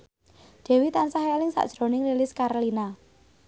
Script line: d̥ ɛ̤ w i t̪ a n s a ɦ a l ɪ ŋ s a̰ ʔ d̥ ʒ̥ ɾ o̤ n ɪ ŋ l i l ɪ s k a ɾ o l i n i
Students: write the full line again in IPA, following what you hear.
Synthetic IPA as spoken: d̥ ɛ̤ w i t̪ a n s a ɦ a l ɪ ŋ s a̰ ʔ d̥ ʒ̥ ɾ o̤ n ɪ ŋ l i l ɪ s k a ɾ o l i n a